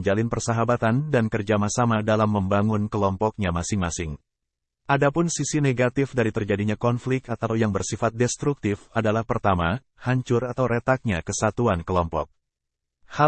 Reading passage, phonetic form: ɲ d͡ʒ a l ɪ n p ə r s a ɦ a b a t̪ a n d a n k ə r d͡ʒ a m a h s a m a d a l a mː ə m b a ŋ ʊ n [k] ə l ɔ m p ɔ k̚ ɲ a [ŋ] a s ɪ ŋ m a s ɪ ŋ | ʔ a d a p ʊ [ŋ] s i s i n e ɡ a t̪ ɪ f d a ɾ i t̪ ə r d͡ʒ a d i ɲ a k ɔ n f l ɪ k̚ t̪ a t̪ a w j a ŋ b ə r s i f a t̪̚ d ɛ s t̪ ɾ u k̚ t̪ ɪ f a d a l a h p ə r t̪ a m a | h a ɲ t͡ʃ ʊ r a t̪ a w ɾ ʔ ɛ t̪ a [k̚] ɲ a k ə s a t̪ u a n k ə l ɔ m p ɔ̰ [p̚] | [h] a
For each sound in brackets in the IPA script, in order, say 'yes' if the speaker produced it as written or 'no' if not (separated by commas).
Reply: yes, no, no, yes, no, yes